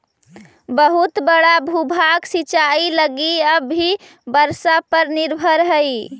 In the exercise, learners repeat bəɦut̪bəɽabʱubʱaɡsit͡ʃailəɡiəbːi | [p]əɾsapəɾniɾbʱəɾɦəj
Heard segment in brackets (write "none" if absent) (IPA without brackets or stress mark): b